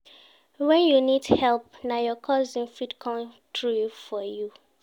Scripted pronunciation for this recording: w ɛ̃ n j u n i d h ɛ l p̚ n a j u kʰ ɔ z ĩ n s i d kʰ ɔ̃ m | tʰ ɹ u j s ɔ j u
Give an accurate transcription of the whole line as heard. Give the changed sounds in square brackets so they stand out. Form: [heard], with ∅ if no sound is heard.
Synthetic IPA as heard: w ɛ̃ n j u n i d h ɛ l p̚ n a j [ɔ] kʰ ɔ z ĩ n [f] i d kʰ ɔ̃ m | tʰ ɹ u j [f] ɔ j u